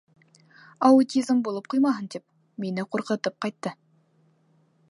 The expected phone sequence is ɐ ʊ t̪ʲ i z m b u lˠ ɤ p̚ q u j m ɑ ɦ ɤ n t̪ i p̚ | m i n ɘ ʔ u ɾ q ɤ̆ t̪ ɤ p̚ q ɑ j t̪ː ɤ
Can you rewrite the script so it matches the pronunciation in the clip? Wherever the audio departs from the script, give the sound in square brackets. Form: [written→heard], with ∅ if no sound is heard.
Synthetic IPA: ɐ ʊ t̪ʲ i z m b u lˠ ɤ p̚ q u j m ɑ ɦ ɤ n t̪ i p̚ | m i n ɘ [ʔ→q] u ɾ q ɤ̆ t̪ ɤ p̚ q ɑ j t̪ː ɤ